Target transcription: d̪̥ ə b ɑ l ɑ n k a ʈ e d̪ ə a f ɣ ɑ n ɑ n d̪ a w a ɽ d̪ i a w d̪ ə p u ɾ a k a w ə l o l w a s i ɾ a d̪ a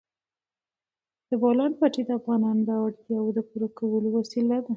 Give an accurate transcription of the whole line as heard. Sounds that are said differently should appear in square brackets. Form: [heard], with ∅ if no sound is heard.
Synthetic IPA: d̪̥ ə b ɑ l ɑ n [p] a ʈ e d̪ ə a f ɣ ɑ n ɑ n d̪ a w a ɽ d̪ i a w d̪ ə p u ɾ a k a w ə l o [∅] w a s i [l] a d̪ a